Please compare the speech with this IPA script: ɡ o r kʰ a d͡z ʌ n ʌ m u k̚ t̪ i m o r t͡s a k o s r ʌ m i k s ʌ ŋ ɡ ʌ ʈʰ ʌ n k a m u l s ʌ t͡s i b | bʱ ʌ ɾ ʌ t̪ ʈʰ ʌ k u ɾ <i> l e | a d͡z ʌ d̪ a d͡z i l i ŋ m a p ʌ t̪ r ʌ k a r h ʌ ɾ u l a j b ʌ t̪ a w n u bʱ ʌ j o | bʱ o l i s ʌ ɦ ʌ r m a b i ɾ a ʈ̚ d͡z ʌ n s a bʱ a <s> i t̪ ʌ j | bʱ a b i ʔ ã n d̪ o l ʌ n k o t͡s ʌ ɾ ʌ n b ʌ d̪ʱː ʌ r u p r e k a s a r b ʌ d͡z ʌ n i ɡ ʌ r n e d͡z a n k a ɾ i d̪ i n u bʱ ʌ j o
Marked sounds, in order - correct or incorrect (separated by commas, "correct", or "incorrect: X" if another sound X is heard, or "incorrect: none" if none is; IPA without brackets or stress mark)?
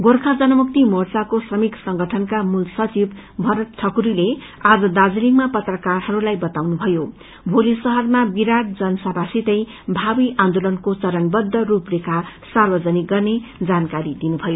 correct, correct